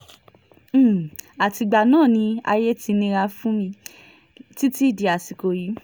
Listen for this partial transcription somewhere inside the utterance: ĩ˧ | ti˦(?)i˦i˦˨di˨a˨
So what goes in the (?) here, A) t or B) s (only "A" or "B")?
A